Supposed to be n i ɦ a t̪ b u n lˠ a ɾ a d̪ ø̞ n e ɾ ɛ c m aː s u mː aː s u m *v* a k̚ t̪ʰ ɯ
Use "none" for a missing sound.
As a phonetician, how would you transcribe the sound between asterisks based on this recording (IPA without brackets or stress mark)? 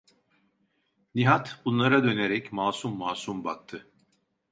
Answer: b